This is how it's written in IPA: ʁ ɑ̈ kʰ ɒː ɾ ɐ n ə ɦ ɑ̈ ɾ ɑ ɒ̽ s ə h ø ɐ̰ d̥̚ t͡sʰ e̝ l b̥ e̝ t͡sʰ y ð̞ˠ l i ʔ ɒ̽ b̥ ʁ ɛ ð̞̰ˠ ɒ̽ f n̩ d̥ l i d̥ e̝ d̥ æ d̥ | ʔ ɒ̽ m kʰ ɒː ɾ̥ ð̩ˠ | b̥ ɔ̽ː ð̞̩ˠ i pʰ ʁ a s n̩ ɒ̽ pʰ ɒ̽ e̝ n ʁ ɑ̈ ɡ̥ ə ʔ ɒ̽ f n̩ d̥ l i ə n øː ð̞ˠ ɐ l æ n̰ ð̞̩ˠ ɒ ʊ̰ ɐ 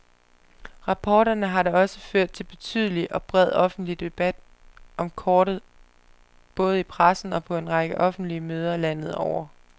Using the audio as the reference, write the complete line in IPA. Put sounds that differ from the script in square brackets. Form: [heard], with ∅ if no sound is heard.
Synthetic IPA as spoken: ʁ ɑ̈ [pʰ] ɒː ɾ ɐ n ə ɦ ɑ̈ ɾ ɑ ɒ̽ s ə [f] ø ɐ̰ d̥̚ t͡sʰ e̝ l b̥ e̝ t͡sʰ y ð̞ˠ l i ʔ ɒ̽ b̥ ʁ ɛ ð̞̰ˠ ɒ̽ f n̩ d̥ l i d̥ e̝ [b̥] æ d̥ | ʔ ɒ̽ m kʰ ɒː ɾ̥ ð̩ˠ | b̥ ɔ̽ː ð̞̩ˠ i pʰ ʁ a s n̩ ɒ̽ pʰ ɒ̽ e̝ n ʁ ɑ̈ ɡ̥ ə ʔ ɒ̽ f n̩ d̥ l i ə [m] øː ð̞ˠ ɐ l æ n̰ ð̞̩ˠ ɒ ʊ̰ ɐ